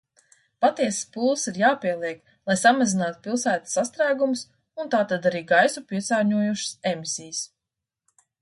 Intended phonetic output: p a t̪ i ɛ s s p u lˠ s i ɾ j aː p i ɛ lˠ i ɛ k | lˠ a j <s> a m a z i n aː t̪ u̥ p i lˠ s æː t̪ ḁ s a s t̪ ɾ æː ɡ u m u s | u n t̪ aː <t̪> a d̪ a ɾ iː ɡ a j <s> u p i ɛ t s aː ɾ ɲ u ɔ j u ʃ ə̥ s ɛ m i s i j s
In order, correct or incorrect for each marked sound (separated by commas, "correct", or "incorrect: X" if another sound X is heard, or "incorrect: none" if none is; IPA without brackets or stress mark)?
correct, correct, correct